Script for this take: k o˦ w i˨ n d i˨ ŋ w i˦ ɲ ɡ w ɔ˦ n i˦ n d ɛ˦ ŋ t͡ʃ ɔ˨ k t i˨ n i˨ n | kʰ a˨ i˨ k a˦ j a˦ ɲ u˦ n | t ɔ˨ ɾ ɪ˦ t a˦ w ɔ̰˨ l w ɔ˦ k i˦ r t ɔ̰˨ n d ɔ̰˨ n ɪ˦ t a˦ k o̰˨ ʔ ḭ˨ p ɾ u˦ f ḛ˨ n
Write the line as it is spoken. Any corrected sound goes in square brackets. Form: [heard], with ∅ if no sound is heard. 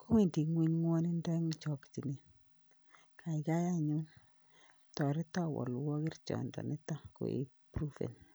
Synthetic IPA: k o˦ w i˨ n d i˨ ŋ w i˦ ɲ [ŋ] w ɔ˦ n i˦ n d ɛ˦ ŋ t͡ʃ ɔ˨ k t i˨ n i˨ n | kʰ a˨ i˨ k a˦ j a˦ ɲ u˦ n | t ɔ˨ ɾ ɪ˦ t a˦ w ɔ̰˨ l w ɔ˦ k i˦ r [t͡ʃ] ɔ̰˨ n d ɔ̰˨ n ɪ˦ t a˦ k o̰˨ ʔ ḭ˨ p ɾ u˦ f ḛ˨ n

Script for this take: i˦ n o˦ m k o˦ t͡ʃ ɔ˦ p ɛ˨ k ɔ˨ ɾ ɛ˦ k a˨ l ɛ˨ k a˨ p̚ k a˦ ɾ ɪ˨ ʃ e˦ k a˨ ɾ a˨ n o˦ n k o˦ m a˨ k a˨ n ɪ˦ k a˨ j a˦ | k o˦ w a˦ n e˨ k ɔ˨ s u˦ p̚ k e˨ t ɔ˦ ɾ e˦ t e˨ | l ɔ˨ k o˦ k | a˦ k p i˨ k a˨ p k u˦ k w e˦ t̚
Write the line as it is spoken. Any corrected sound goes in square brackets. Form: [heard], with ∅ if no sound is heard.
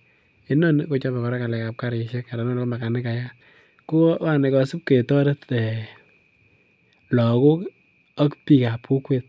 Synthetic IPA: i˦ n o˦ [n] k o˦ t͡ʃ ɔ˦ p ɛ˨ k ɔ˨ ɾ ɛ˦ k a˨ l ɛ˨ k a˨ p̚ k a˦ ɾ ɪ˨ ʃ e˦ k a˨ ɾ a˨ n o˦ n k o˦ m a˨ k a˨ n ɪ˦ k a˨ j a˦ | k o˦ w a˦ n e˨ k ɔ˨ s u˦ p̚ k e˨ t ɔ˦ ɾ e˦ t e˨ | l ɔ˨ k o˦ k | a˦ k p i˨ k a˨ p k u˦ k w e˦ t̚

